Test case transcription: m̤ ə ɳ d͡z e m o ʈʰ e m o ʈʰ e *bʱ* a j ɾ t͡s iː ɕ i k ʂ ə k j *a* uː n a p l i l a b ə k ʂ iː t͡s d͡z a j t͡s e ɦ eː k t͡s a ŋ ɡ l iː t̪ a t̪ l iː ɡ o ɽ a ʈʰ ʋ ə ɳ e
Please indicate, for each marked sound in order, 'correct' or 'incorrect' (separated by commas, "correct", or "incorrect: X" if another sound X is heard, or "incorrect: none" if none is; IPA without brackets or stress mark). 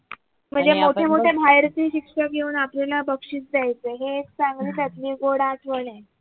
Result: correct, incorrect: e